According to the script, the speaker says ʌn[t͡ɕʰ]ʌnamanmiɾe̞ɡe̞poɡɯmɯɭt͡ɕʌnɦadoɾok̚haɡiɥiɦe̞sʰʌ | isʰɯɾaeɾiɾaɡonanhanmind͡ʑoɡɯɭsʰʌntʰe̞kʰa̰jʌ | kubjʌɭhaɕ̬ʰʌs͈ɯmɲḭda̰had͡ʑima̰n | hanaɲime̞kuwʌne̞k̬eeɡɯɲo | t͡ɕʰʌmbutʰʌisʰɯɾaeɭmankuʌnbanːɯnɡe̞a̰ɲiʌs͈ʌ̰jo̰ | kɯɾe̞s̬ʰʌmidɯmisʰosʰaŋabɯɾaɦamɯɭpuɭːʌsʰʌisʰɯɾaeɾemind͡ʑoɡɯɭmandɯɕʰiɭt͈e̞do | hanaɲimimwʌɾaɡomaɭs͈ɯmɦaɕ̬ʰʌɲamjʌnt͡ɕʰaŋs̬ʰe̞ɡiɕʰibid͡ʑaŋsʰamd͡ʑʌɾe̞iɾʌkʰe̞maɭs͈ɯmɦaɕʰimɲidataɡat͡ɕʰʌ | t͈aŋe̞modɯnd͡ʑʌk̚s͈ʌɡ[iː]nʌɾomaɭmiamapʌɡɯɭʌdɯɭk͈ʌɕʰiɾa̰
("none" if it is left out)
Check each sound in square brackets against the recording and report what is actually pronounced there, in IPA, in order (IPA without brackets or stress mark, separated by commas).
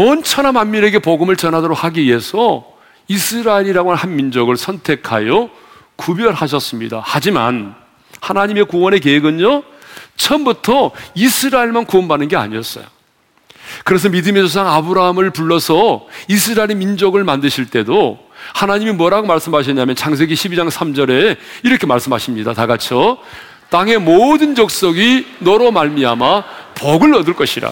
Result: t͡ɕʰ, i